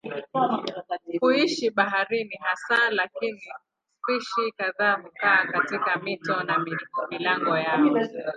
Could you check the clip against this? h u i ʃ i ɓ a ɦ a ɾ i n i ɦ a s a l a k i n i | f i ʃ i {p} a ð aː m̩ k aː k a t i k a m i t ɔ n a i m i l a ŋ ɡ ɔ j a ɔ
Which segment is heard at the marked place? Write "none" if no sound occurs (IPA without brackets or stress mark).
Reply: k